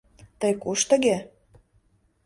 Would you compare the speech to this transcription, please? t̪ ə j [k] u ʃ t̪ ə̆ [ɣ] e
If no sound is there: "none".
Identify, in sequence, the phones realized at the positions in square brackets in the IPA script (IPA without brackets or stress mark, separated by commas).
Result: k, ɣ